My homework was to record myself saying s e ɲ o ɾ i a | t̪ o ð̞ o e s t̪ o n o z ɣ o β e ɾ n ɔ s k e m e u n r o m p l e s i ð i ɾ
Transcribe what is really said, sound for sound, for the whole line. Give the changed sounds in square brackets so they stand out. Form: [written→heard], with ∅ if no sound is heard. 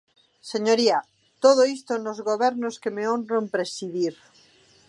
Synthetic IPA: s e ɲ o ɾ i a | t̪ o ð̞ o [e→i] s t̪ o n o z ɣ o β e ɾ n [ɔ→o] s k e m e [u→o] n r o m p [l→ɾ] e s i ð i ɾ